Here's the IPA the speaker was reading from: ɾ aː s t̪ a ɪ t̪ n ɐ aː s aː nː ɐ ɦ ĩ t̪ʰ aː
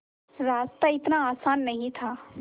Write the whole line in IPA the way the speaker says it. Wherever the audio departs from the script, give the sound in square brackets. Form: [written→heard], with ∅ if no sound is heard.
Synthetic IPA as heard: ɾ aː s t̪ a ɪ t̪ n [ɐ→a] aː s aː nː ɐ ɦ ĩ t̪ʰ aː